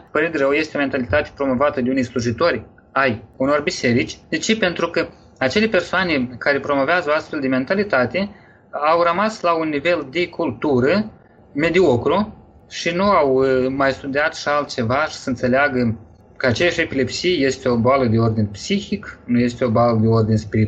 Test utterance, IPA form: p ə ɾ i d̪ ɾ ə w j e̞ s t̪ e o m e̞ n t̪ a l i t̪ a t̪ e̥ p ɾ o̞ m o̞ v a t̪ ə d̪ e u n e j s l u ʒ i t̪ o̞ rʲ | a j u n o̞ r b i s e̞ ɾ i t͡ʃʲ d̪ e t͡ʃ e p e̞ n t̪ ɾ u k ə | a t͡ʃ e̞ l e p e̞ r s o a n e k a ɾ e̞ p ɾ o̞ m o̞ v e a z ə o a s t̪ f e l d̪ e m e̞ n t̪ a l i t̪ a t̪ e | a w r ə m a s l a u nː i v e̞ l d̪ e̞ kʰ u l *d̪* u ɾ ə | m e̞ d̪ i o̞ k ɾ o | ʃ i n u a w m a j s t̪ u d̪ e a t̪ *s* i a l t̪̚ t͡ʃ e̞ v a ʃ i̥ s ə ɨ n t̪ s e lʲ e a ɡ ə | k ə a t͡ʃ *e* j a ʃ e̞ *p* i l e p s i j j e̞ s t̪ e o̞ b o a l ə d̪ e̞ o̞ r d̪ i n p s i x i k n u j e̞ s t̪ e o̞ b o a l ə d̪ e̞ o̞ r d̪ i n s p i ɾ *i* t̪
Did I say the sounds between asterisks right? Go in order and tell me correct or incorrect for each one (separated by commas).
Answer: incorrect, incorrect, correct, correct, correct